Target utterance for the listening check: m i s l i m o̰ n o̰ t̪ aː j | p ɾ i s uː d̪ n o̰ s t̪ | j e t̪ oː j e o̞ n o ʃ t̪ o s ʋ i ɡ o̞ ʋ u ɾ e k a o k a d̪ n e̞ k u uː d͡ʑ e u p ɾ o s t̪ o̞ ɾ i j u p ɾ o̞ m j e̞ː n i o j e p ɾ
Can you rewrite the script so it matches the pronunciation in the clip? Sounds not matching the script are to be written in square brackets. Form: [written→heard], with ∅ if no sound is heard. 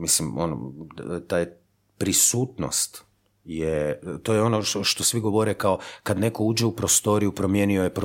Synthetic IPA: m i s l i m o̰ n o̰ t̪ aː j | p ɾ i s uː [d̪→t̪] n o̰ s t̪ | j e t̪ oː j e o̞ n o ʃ t̪ o s ʋ i ɡ o̞ ʋ [u→o] ɾ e k a o k a d̪ n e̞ k [u→o] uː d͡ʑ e u p ɾ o s t̪ o̞ ɾ i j u p ɾ o̞ m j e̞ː n i o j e p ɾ